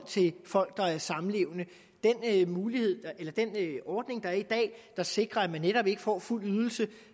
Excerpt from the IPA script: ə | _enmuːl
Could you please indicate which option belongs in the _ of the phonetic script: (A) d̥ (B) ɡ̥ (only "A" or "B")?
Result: A